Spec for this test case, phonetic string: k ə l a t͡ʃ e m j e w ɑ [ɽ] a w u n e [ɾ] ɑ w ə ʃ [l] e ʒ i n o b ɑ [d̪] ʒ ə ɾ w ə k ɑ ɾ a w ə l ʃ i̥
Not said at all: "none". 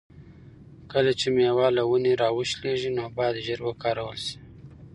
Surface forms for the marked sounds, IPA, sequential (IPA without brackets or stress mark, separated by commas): l, ɾ, l, d̪